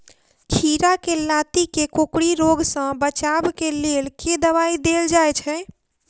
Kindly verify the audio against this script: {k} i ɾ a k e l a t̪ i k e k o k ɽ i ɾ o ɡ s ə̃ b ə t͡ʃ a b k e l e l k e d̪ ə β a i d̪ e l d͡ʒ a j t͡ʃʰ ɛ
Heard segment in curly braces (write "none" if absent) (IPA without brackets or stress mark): kʰ